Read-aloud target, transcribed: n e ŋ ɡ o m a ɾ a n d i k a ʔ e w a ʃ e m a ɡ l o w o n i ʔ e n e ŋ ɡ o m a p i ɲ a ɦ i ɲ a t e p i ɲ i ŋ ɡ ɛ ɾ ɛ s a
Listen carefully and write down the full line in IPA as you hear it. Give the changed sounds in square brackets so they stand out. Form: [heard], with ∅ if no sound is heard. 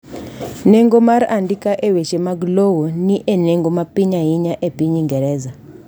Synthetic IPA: n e ŋ ɡ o m a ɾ a n d i k a ʔ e w [e] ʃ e m a ɡ l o w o n i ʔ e n e ŋ ɡ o m a p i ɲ a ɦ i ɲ a [ʔ] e p i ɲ i ŋ ɡ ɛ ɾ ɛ [z] a